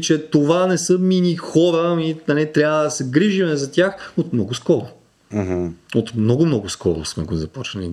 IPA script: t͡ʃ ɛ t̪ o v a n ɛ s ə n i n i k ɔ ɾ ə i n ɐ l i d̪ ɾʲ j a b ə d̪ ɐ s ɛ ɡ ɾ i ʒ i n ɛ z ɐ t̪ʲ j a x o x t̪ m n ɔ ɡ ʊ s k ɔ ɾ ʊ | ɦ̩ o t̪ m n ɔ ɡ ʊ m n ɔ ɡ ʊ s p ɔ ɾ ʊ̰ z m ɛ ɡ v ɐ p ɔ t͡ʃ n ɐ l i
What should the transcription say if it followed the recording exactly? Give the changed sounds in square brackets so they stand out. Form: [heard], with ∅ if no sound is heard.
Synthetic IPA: t͡ʃ ɛ t̪ o v a n ɛ s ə [m] i n i [x] ɔ ɾ ə i n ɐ l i [t̪] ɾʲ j a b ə d̪ ɐ s ɛ ɡ ɾ i ʒ i [m] ɛ z ɐ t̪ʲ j a x o [∅] t̪ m n ɔ ɡ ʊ s k ɔ ɾ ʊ | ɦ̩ o t̪ m n ɔ ɡ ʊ m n ɔ ɡ ʊ s [k] ɔ ɾ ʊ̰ [s] m ɛ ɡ [z] ɐ p ɔ t͡ʃ n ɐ l i